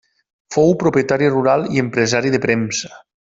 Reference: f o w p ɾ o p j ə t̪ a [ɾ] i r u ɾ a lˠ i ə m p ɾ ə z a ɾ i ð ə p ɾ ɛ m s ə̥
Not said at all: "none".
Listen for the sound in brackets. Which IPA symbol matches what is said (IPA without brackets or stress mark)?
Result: ɾ